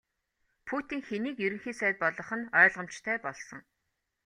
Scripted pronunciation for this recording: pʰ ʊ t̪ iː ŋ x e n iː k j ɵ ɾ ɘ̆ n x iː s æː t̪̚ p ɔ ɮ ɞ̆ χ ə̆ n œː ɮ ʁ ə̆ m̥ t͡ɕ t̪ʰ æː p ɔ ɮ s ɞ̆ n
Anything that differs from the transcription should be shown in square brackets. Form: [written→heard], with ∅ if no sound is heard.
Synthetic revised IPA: pʰ [ʊ→u] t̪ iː ŋ x e n iː k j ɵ ɾ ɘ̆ [n→ŋ] x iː s æː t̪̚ p ɔ ɮ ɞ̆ χ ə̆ n œː ɮ ʁ ə̆ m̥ t͡ɕ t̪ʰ æː p ɔ ɮ s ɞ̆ [n→ŋ]